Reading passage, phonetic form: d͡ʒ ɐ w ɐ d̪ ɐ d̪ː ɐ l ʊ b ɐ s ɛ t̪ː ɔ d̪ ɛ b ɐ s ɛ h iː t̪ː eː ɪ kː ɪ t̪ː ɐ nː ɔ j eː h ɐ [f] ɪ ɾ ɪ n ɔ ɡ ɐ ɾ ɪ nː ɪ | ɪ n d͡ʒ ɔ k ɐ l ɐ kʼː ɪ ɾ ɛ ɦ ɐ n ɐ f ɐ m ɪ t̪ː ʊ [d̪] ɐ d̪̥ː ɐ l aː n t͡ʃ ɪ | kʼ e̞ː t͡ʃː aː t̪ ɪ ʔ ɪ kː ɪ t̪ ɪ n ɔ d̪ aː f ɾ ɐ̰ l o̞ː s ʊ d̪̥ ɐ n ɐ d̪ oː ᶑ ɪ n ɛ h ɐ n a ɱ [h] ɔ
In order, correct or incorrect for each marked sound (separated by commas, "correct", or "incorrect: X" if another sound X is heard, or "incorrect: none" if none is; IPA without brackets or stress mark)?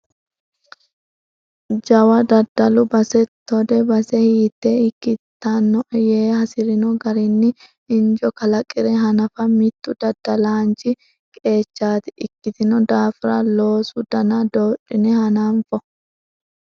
incorrect: s, correct, incorrect: f